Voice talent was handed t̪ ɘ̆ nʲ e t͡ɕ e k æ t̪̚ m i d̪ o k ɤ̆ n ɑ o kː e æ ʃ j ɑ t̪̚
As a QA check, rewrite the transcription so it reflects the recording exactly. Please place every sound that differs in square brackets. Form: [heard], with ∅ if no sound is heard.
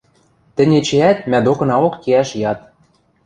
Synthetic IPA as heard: t̪ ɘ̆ nʲ e t͡ɕ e [∅] æ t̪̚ m [æ] d̪ o k ɤ̆ n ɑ o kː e æ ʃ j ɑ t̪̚